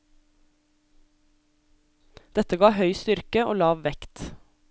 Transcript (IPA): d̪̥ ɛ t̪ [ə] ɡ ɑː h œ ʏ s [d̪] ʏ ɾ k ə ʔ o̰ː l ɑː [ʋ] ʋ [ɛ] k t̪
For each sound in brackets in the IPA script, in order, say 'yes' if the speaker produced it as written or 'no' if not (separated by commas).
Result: yes, no, yes, yes